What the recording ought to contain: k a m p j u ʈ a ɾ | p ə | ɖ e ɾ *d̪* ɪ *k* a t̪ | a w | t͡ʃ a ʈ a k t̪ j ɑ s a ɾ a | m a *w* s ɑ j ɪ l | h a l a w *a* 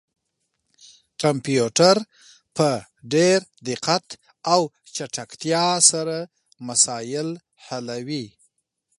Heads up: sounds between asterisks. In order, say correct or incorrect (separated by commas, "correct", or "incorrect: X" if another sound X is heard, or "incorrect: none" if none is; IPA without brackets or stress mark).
correct, incorrect: q, incorrect: none, incorrect: i